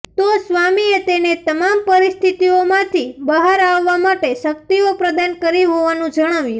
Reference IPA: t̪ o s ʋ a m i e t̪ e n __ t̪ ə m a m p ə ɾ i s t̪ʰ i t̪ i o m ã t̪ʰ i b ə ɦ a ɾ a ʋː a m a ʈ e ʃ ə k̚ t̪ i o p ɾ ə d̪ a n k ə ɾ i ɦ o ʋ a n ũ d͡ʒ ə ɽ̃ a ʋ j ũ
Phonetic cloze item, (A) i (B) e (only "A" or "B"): B